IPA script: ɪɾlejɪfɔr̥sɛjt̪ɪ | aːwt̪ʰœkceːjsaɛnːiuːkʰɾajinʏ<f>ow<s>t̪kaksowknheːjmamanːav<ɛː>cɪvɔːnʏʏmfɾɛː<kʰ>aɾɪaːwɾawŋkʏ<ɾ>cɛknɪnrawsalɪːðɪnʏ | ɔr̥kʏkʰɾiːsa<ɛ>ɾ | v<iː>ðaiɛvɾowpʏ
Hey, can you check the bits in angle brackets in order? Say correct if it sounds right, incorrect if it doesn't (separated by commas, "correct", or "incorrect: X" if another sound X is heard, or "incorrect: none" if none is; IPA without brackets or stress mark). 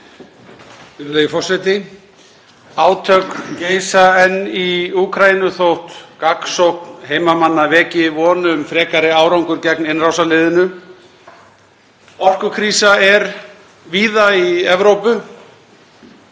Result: incorrect: θ, incorrect: h, correct, incorrect: k, correct, correct, correct